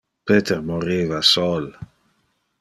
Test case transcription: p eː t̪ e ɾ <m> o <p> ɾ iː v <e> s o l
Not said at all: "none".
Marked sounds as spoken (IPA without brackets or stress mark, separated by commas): m, none, a